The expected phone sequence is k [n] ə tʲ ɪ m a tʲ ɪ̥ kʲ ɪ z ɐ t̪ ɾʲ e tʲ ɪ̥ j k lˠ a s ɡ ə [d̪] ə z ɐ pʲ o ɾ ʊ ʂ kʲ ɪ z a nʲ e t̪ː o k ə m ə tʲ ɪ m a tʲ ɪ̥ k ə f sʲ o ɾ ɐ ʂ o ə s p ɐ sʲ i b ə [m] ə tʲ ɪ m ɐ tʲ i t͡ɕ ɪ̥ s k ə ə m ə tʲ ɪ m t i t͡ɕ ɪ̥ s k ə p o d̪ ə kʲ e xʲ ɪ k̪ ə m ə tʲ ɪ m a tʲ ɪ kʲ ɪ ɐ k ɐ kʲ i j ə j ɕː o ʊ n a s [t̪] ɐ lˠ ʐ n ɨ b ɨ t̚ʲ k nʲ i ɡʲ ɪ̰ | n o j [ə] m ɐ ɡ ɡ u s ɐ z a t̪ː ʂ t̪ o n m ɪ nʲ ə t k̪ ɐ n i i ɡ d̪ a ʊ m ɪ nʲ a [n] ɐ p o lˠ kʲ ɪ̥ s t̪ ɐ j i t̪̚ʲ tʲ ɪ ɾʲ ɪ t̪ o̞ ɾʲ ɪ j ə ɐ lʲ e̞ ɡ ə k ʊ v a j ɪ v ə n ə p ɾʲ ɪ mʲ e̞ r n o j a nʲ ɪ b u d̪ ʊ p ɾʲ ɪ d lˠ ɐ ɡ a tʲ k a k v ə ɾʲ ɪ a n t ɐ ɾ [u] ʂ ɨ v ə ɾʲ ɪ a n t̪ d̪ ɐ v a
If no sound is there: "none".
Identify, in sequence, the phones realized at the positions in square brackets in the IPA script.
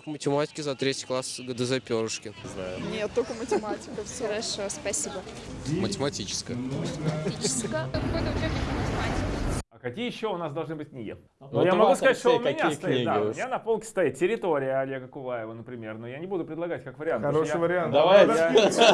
m, d̪, m, d̪, a, n, o

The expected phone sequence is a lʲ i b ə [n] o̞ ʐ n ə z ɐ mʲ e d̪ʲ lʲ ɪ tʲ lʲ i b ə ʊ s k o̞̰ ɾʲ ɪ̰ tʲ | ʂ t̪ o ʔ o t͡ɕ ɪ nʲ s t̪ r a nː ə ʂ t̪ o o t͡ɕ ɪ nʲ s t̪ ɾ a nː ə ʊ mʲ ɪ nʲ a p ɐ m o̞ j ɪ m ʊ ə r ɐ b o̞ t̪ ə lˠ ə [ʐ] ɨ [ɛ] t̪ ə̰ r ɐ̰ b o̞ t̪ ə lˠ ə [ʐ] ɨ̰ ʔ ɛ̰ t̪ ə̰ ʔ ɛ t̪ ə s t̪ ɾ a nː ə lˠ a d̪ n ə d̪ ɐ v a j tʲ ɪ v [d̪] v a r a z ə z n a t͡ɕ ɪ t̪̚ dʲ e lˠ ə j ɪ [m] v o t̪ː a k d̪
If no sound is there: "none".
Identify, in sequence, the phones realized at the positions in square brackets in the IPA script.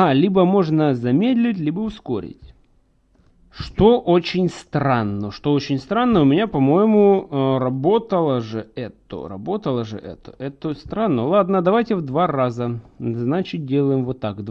m, ʐ, ɛ, ʐ, d̪, m

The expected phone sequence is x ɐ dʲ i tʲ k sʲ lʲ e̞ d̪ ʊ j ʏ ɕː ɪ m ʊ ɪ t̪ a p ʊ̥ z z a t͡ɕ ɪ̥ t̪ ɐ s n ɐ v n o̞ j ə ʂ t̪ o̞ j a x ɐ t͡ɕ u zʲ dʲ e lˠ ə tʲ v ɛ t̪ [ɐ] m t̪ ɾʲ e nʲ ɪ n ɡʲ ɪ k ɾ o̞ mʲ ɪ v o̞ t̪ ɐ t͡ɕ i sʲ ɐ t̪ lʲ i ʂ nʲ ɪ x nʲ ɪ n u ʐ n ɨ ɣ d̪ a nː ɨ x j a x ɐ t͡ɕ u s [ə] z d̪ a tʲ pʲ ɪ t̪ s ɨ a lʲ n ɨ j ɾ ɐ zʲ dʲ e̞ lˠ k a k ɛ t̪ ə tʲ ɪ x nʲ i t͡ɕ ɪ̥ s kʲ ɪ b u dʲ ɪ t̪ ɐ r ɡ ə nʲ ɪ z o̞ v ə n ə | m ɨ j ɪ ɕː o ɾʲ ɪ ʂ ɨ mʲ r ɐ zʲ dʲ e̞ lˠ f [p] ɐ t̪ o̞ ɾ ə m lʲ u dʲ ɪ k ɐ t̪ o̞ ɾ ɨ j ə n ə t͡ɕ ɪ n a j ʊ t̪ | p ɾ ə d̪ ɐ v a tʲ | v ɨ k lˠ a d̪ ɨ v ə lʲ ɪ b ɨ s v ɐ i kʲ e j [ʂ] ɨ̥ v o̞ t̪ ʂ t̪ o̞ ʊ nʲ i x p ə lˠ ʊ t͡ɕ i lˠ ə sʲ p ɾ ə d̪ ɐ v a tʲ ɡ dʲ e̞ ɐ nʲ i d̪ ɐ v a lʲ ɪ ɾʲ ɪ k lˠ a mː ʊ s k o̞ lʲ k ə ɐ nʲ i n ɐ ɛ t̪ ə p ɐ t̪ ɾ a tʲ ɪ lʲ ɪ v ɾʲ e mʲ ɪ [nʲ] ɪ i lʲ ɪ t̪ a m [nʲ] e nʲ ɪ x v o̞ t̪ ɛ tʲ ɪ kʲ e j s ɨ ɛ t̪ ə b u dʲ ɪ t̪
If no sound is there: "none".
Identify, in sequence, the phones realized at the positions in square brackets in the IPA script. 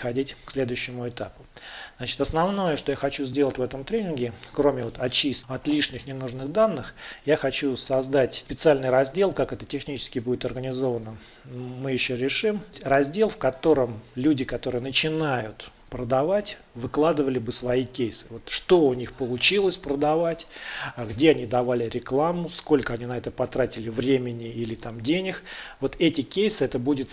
ə, ɐ, k, s, nʲ, dʲ

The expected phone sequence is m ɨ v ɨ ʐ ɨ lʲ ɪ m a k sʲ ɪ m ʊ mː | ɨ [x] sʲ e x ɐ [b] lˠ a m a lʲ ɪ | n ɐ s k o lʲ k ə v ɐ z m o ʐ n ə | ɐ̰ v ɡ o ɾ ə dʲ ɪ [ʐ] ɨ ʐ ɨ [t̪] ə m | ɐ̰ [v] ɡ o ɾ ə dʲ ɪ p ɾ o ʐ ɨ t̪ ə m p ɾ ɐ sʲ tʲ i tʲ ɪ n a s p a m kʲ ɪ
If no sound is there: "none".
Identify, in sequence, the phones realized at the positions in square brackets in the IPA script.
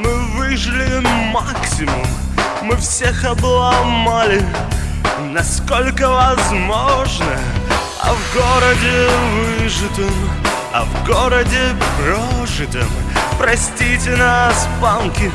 f, b, v, t̪, v

